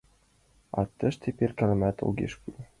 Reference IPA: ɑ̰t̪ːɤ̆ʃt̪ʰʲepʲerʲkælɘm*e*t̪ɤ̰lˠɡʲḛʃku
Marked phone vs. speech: incorrect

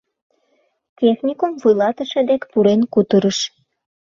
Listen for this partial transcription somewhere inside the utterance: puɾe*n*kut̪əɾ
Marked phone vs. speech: correct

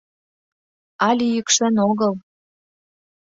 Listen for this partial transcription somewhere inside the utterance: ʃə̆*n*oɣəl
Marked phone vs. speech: correct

